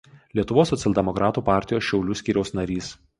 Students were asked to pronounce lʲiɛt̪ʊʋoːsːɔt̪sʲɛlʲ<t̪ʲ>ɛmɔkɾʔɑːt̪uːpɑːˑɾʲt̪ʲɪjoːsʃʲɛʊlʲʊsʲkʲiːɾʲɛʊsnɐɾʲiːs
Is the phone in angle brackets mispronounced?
yes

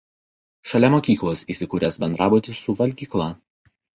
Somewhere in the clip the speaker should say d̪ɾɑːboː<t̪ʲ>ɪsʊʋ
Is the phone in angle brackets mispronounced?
no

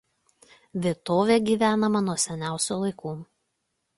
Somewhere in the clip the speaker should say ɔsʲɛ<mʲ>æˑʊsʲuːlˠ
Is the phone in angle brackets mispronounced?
yes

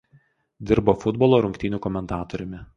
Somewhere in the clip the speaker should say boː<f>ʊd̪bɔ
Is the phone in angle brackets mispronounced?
no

